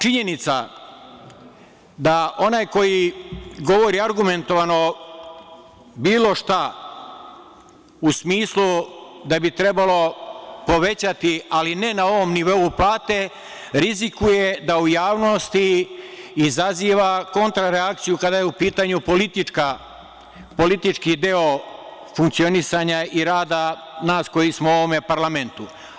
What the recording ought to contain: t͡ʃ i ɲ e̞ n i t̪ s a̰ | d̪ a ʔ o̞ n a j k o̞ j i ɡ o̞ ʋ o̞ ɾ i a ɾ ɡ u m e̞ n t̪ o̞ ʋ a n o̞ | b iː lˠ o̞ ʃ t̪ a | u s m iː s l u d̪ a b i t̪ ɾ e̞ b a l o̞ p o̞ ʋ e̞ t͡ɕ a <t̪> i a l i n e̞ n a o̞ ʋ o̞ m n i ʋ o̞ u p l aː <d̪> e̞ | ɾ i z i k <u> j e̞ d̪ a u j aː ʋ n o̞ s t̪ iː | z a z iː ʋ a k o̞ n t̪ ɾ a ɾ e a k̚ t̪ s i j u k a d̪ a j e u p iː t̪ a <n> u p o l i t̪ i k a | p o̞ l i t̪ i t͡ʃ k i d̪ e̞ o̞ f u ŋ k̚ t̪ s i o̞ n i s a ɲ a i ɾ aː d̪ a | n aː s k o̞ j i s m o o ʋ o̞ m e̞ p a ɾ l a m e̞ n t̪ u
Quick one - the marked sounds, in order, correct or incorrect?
correct, incorrect: t̪, correct, incorrect: ɲ

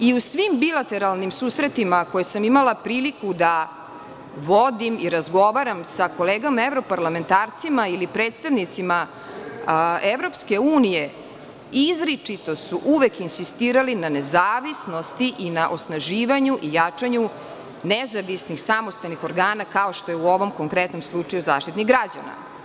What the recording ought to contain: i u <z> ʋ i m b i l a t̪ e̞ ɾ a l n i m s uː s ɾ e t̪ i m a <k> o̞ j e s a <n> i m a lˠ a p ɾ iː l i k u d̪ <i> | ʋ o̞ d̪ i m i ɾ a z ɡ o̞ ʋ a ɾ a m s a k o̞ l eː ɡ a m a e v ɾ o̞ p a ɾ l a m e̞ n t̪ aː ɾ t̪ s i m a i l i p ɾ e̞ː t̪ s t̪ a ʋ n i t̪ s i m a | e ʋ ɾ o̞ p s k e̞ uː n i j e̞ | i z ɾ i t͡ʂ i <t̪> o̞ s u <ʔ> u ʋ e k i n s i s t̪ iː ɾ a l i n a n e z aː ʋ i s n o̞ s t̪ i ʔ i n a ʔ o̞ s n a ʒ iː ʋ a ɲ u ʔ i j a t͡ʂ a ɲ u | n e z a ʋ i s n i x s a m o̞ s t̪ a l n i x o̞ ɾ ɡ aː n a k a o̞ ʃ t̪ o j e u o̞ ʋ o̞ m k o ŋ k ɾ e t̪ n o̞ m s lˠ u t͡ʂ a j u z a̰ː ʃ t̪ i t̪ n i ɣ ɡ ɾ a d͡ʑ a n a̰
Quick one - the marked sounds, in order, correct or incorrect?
incorrect: s, correct, incorrect: m, incorrect: a, correct, correct

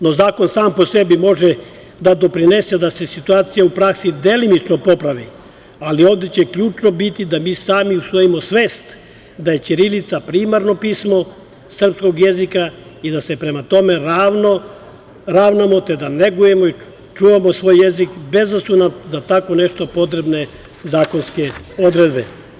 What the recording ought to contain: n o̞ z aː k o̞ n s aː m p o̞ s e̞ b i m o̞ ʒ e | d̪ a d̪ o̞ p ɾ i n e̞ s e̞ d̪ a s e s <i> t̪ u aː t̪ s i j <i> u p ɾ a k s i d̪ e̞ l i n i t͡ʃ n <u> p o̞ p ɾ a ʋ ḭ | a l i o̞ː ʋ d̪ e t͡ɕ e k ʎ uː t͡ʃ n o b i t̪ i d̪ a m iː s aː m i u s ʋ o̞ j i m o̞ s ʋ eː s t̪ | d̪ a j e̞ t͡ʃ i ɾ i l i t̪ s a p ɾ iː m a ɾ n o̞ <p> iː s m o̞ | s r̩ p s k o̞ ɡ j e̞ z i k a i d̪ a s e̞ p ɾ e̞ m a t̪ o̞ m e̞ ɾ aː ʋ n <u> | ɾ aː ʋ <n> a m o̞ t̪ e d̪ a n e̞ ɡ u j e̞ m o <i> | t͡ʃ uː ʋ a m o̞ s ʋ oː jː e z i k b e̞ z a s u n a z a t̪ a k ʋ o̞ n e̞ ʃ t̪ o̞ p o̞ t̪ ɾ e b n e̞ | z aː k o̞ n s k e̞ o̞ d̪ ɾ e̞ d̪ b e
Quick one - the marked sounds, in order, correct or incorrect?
correct, incorrect: a, incorrect: o, correct, incorrect: o, correct, correct

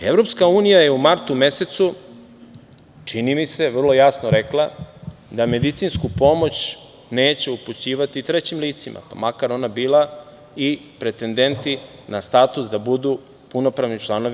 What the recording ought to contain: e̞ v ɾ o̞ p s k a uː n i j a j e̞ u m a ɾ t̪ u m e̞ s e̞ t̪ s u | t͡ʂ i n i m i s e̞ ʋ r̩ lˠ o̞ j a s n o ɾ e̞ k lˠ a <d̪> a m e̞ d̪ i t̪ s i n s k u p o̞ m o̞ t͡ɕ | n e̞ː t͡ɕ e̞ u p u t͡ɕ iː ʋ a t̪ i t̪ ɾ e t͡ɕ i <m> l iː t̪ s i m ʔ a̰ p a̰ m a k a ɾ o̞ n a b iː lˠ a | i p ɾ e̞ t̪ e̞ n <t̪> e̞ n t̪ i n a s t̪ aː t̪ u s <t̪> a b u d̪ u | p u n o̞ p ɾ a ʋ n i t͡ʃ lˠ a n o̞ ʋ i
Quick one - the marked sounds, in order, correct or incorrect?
correct, correct, incorrect: d̪, incorrect: d̪

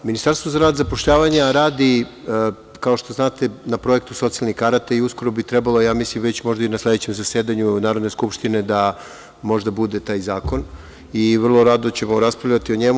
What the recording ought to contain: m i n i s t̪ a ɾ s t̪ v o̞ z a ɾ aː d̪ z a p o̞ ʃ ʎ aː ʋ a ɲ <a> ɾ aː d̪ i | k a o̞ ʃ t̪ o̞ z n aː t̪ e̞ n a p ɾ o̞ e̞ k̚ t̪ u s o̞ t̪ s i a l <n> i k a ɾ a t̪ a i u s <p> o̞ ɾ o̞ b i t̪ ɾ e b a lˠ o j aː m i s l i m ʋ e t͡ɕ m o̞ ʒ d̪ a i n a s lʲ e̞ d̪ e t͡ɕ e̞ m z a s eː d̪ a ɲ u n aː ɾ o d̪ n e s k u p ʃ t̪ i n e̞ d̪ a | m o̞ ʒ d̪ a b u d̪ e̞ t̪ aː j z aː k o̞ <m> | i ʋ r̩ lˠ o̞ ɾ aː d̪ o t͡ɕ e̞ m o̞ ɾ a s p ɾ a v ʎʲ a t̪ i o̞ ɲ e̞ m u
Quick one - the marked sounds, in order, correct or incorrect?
correct, correct, incorrect: k, incorrect: n

